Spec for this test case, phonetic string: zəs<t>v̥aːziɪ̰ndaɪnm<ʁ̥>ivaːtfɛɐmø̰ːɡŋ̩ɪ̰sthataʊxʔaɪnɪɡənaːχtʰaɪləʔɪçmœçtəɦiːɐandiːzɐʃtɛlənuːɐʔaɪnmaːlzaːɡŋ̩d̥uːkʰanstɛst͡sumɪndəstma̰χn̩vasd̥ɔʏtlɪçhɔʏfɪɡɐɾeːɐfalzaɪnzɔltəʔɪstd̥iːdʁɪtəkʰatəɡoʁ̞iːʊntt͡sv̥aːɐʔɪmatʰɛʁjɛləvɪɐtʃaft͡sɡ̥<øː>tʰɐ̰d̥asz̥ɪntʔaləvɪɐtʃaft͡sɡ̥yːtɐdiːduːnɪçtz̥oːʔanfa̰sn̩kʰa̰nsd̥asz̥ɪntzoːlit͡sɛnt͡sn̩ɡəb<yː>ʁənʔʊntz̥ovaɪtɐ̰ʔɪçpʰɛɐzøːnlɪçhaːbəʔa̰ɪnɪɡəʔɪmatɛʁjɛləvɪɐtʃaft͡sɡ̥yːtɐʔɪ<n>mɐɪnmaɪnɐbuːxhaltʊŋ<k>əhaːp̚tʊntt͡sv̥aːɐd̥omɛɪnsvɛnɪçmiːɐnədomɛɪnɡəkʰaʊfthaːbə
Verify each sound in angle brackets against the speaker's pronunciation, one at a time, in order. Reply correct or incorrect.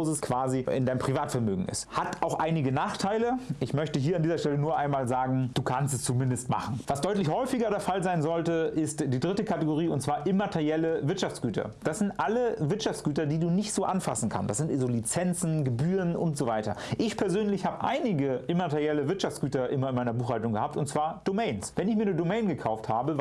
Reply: incorrect, correct, incorrect, correct, correct, incorrect

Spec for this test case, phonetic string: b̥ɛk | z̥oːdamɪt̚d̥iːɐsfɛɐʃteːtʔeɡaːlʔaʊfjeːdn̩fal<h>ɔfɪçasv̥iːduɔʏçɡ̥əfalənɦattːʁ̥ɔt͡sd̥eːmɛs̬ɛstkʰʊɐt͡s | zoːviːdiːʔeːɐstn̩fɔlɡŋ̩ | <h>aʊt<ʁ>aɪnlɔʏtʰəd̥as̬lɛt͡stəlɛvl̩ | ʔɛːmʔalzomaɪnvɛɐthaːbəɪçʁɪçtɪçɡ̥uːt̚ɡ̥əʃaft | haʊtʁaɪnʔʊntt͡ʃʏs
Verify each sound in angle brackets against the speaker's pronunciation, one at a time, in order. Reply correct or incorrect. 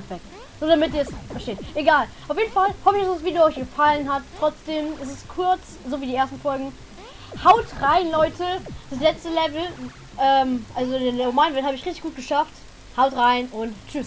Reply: correct, correct, correct

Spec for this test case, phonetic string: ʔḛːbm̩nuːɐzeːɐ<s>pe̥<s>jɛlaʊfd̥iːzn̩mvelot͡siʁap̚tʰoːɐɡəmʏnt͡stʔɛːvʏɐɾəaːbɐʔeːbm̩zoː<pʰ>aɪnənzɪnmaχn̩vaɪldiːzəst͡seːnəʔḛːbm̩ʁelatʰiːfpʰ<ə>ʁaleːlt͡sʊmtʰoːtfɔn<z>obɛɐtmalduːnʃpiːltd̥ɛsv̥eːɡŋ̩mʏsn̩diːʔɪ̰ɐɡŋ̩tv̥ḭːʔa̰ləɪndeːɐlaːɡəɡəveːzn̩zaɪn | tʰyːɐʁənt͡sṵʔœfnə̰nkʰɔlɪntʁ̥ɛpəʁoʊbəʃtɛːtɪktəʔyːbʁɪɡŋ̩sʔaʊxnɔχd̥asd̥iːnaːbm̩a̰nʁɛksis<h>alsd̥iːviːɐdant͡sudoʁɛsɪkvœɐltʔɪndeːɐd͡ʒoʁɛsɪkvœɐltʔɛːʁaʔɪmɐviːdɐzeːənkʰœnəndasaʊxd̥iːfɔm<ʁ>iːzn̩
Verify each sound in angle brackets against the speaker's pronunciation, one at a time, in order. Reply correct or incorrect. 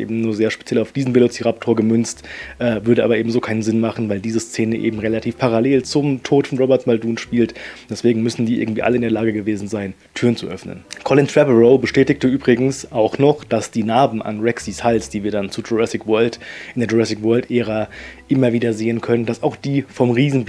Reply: incorrect, incorrect, incorrect, incorrect, incorrect, correct, correct

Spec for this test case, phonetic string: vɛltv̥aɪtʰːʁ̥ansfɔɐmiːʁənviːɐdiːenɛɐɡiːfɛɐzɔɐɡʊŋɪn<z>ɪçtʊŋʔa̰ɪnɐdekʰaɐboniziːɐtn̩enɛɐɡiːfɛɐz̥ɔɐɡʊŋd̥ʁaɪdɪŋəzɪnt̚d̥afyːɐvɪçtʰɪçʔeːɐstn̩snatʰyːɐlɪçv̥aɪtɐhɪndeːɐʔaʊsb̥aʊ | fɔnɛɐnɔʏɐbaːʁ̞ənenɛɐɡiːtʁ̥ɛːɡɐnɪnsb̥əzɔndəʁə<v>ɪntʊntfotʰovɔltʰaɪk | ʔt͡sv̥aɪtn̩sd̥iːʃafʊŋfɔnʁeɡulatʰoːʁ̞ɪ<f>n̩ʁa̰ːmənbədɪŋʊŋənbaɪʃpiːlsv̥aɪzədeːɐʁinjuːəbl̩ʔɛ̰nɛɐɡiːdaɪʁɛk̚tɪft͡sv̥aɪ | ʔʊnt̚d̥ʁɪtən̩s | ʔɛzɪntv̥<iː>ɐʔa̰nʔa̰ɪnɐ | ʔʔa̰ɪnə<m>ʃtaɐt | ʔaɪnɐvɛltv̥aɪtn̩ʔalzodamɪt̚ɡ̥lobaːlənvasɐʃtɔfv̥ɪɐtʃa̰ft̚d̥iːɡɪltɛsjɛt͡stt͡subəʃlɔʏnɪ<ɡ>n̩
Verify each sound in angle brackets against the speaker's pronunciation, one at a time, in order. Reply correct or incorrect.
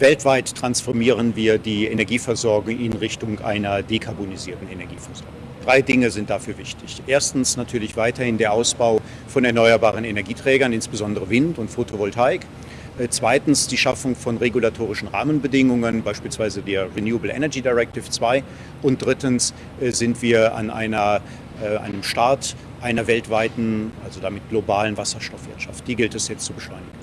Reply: incorrect, correct, incorrect, correct, correct, correct

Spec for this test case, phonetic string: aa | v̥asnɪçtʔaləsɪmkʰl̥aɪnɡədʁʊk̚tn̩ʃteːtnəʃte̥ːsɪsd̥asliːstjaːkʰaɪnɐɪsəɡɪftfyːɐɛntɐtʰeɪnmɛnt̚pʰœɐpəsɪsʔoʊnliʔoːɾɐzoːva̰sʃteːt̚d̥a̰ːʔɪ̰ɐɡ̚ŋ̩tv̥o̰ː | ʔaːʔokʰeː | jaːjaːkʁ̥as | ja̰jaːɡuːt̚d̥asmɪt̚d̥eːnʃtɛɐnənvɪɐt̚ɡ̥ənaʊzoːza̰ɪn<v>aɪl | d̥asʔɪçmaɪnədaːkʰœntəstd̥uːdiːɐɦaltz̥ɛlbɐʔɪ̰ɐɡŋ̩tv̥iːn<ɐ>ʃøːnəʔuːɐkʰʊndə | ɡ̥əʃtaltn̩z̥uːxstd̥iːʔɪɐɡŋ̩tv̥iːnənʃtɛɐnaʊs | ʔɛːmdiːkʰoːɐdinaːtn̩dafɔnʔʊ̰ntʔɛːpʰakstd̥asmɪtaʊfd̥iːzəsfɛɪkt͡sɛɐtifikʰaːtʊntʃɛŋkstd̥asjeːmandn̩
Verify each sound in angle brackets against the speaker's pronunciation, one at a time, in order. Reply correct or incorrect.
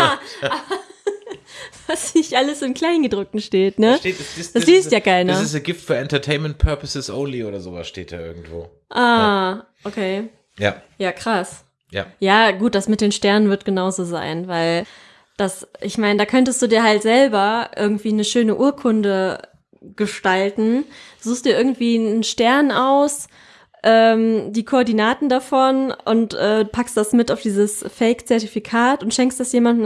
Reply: correct, incorrect

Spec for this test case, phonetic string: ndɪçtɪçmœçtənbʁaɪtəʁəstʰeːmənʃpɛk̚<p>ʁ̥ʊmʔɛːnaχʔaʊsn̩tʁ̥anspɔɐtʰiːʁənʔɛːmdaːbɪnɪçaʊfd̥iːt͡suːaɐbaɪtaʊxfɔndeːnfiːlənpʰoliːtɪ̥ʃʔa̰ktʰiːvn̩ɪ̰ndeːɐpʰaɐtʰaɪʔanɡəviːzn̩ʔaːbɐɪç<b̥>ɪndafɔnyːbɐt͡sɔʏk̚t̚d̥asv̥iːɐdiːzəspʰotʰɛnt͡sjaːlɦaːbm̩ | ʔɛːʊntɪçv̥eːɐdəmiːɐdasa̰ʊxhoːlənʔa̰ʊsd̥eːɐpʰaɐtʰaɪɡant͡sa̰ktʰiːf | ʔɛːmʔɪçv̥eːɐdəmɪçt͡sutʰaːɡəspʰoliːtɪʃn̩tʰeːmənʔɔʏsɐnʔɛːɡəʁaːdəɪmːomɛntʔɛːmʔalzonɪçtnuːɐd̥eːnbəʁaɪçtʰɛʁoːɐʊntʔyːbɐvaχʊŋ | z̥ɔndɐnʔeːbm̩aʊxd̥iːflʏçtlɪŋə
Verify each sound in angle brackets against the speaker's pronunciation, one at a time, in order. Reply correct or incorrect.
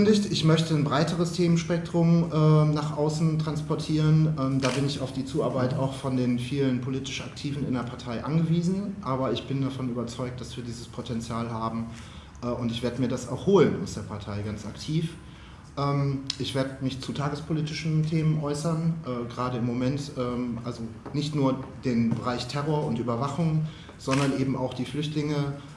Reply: incorrect, correct

